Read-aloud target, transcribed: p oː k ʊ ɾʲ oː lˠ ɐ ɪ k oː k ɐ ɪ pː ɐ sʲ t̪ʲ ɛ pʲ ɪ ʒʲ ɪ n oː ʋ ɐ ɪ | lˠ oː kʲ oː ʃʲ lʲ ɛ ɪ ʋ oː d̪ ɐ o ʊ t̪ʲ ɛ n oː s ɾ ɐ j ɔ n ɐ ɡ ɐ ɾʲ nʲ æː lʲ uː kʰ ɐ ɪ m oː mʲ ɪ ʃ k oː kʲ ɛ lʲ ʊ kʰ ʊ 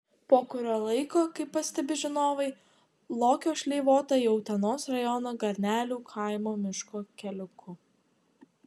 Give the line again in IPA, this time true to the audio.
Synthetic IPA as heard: p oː k ʊ ɾʲ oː lˠ ɐ ɪ k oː k ɐ ɪ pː ɐ sʲ t̪ʲ ɛ bʲ ɪ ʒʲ ɪ n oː ʋ ɐ ɪ | lˠ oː kʲ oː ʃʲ lʲ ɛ ɪ ʋ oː t̪ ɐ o ʊ t̪ʲ ɛ n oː s ɾ ɐ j ɔ n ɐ ɡ ɐ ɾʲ nʲ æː lʲ uː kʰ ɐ ɪ m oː mʲ ɪ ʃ k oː kʲ ɛ lʲ ʊ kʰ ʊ

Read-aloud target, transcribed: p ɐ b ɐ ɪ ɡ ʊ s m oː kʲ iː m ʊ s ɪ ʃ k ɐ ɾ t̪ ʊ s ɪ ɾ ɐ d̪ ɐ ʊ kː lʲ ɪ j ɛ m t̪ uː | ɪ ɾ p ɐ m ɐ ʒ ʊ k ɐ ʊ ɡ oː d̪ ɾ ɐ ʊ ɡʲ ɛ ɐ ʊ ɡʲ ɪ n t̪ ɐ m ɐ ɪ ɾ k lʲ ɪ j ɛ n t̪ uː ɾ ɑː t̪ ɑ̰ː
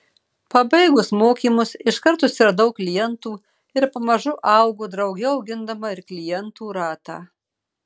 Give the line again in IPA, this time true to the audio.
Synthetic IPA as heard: p ɐ b ɐ ɪ ɡ ʊ s m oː kʲ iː m ʊ s ɪ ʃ k ɐ ɾ t̪ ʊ s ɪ ɾ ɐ d̪ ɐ ʊ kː lʲ ɪ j ɛ n t̪ uː | ɪ ɾ p ɐ m ɐ ʒ ʊ ʔ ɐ ʊ ɡ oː d̪ ɾ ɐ ʊ ɡʲ ɛ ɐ ʊ ɡʲ ɪ n d̪ ɐ m ɐ ɪ ɾ k lʲ ɪ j ɛ n t̪ uː ɾ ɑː t̪ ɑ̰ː

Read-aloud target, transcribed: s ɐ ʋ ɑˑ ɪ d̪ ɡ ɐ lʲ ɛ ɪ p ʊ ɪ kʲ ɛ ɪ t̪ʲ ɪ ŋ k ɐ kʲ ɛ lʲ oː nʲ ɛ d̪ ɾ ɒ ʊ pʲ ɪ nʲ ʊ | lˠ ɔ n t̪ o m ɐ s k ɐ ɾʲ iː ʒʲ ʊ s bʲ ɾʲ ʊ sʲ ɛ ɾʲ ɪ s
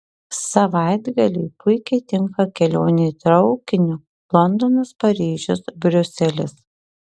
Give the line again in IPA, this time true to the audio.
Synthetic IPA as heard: s ɐ ʋ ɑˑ ɪ d̪ ɡ ɐ lʲ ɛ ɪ p ʊ ɪ kʲ ɛ ɪ t̪ʲ ɪ ŋ k ɐ kʲ ɛ lʲ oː nʲ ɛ t̪ ɾ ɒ ʊ kʲ ɪ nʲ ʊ | lˠ ɔ n d̪ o n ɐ s p ɐ ɾʲ iː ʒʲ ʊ s bʲ ɾʲ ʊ sʲ ɛ lʲ ɪ s

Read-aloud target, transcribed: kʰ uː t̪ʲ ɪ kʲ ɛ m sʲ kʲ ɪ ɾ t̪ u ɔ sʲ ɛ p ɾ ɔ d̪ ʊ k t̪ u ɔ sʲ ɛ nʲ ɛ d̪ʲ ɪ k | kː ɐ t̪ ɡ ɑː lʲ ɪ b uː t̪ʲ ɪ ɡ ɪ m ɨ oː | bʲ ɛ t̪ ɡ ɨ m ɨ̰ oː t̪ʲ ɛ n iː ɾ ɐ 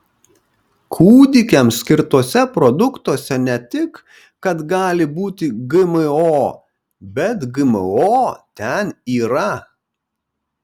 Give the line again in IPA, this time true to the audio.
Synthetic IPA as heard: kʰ uː d̪ʲ ɪ kʲ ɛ m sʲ kʲ ɪ ɾ t̪ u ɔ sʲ ɛ p ɾ ɔ d̪ ʊ k t̪ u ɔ sʲ ɛ nʲ ɛ t̪ʲ ɪ k | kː ɐ t̪ ɡ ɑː lʲ ɪ b uː t̪ʲ ɪ ɡ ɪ m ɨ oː | bʲ ɛ t̪ ɡ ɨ m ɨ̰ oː t̪ʲ ɛ n iː ɾ ɐ

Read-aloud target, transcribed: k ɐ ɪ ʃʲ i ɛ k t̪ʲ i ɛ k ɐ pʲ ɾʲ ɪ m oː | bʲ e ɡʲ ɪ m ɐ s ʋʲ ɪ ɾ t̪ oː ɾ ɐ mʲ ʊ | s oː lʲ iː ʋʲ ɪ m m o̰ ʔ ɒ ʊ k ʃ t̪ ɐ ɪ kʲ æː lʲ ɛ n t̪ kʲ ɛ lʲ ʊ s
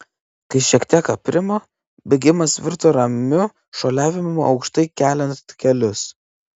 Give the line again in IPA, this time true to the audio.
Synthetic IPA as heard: k ɐ ɪ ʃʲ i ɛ k t̪ʲ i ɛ k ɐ pʲ ɾʲ ɪ m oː | bʲ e ɡʲ ɪ m ɐ s ʋʲ ɪ ɾ t̪ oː ɾ ɐ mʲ ʊ | ʃ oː lʲ æː ʋʲ ɪ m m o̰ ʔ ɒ ʊ k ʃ t̪ ɐ ɪ kʲ æː lʲ ɛ n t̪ kʲ ɛ lʲ ʊ s

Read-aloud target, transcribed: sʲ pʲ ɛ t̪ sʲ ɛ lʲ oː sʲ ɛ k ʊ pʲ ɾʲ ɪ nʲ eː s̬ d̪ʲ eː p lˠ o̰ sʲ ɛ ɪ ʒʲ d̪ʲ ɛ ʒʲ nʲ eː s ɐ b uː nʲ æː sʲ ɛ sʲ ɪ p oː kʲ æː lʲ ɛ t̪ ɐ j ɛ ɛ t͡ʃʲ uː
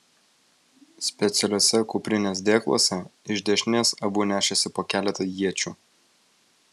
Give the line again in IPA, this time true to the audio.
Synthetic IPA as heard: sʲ pʲ ɛ t̪ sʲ ɛ lʲ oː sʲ ɛ k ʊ pʲ ɾʲ ɪ nʲ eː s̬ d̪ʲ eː k lˠ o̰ sʲ ɛ ɪ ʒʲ d̪ʲ ɛ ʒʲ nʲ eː s ɐ b uː nʲ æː ʃʲ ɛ sʲ ɪ p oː kʲ æː lʲ ɛ t̪ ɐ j i ɛ t͡ʃʲ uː

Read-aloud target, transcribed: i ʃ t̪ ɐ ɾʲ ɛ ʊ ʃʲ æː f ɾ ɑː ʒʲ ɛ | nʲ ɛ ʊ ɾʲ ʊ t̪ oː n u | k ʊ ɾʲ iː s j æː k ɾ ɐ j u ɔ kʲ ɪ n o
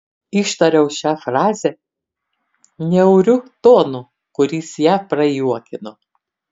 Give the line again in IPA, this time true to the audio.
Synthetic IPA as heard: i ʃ t̪ ɐ ɾʲ ɛ ʊ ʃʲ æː f ɾ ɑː zʲ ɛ | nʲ ɛ ʊ ɾʲ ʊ t̪ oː n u | k ʊ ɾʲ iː s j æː p ɾ ɐ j u ɔ kʲ ɪ n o

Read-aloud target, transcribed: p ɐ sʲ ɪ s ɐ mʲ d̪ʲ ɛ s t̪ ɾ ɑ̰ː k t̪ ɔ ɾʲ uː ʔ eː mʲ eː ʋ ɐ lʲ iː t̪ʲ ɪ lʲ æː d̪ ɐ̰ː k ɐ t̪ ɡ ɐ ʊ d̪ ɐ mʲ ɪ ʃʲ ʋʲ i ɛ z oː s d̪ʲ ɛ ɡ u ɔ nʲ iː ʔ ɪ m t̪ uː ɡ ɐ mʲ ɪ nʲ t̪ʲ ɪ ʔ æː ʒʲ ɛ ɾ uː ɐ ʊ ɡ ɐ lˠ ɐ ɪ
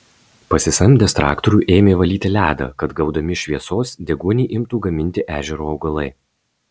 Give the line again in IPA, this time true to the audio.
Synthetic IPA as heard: p ɐ sʲ ɪ s ɐ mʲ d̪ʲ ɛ s t̪ ɾ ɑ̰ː k t̪ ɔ ɾʲ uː ʔ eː mʲ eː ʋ ɐ lʲ iː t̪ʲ ɪ lʲ æː d̪ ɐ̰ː k ɐ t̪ ɡ ɐ ʊ d̪ ɐ mʲ ɪ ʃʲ ʋʲ i ɛ s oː s d̪ʲ ɛ ɡ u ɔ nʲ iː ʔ ɪ m t̪ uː ɡ ɐ mʲ ɪ nʲ t̪ʲ ɪ ʔ æː ʒʲ ɛ ɾ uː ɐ ʊ ɡ ɐ lˠ ɐ ɪ

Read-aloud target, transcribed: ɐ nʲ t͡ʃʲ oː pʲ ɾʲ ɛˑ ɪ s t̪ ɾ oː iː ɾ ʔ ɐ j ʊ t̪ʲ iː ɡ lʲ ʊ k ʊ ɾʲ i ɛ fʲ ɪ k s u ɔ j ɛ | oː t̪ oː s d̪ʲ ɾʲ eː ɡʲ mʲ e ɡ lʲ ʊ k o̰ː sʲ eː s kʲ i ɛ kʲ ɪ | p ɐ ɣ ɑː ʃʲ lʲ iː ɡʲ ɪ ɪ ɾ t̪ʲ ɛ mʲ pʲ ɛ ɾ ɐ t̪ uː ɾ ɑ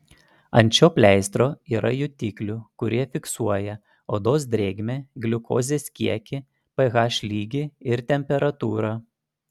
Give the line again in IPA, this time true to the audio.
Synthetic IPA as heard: ɐ nʲ t͡ʃʲ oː pʲ lʲ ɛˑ ɪ s t̪ ɾ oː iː ɾ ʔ ɐ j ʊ t̪ʲ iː k lʲ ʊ k ʊ ɾʲ i ɛ fʲ ɪ k s u ɔ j ɛ | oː d̪ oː s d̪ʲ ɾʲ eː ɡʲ mʲ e ɡ lʲ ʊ k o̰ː zʲ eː s kʲ i ɛ kʲ ɪ | p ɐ ɣ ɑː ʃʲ lʲ iː ɡʲ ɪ ɪ ɾ t̪ʲ ɛ mʲ pʲ ɛ ɾ ɐ t̪ uː ɾ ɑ

